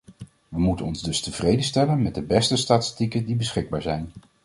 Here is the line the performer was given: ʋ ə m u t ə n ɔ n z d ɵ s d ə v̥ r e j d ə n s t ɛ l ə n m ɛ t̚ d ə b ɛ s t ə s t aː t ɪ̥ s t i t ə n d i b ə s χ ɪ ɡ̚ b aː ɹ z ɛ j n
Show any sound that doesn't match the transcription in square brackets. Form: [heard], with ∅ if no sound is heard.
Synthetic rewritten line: ʋ ə m u t ə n ɔ n z d ɵ s [t] ə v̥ r e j d ə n s t ɛ l ə n m ɛ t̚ d ə b ɛ s t ə s t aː t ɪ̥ s t i [k] ə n d i b ə s χ ɪ ɡ̚ b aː ɹ z ɛ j n